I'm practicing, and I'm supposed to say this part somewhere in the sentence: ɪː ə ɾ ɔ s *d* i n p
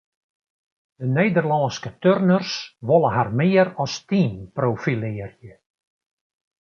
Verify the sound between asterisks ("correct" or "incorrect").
incorrect